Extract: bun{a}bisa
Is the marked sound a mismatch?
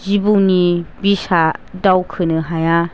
yes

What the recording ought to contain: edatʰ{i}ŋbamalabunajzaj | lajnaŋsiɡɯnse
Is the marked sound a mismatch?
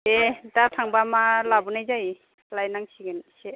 yes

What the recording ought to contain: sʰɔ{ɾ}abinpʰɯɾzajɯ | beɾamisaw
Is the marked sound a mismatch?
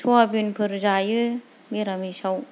yes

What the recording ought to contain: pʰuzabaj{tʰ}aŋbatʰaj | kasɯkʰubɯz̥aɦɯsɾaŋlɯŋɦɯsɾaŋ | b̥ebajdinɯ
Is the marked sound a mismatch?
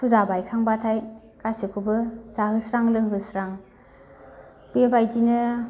yes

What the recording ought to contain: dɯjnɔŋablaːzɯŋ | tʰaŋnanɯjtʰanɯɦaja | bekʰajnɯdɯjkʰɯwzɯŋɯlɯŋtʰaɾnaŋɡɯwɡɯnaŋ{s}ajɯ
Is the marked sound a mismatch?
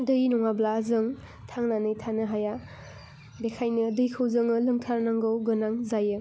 yes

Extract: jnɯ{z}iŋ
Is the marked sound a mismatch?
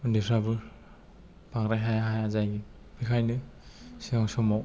yes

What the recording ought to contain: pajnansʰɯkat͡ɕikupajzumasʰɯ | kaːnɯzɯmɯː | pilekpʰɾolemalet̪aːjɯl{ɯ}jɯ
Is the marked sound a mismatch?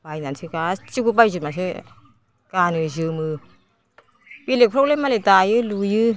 yes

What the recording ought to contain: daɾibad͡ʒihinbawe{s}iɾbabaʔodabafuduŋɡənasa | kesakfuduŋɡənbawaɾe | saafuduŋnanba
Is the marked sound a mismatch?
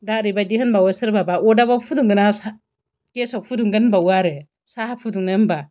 no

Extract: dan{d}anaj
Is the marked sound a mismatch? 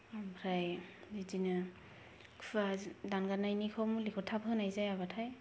yes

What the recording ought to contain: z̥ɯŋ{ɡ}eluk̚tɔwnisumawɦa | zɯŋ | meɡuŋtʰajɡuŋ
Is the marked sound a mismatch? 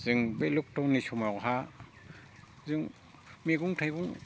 yes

